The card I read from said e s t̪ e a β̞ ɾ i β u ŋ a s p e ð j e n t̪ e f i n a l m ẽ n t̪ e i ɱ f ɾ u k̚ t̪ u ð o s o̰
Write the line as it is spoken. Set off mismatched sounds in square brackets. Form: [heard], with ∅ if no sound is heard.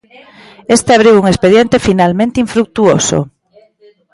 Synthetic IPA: e s t̪ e a β̞ ɾ i [w] u ŋ [e] s p e ð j e n t̪ e f i n a l m ẽ n t̪ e i ɱ f ɾ u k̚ t̪ u [∅] o s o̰